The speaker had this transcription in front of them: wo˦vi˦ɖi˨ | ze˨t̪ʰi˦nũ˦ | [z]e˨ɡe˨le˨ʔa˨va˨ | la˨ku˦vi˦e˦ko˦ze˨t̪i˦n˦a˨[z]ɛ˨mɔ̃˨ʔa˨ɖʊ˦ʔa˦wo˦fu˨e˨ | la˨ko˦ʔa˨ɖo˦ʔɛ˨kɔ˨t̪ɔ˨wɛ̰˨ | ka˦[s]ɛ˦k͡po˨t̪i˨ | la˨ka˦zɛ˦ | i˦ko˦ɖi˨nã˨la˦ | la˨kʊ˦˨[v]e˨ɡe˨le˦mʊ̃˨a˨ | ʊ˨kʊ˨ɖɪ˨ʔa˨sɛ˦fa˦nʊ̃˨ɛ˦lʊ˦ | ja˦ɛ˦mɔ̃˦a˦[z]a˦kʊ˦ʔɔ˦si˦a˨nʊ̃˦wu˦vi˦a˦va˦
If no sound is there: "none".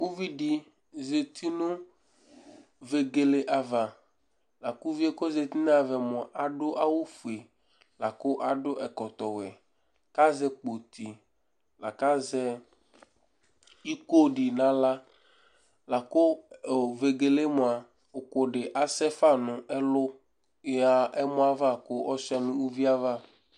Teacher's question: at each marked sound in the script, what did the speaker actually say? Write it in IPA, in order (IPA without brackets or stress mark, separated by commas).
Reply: v, v, z, v, v